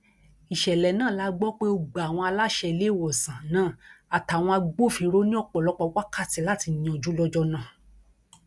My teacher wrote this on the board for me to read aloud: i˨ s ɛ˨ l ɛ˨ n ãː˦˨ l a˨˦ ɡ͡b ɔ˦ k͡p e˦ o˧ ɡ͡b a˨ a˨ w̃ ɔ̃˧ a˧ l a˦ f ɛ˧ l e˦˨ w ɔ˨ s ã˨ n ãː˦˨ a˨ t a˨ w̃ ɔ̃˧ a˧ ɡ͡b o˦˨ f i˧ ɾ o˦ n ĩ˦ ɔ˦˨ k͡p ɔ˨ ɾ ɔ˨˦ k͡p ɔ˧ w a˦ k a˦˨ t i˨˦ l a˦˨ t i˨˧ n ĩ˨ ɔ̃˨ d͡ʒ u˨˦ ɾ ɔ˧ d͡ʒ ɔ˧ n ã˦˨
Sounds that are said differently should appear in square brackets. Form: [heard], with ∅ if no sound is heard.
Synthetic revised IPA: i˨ [ʃ] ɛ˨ l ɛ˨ n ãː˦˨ l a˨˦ ɡ͡b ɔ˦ k͡p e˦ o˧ ɡ͡b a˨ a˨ w̃ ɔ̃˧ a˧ l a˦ [ʃ] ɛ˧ l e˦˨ w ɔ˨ s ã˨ n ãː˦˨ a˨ t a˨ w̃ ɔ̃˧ a˧ ɡ͡b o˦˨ f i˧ ɾ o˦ n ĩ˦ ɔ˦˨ k͡p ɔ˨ [l] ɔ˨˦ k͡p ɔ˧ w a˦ k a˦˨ t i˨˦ l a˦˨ t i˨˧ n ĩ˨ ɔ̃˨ d͡ʒ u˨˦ [l] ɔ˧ d͡ʒ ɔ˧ n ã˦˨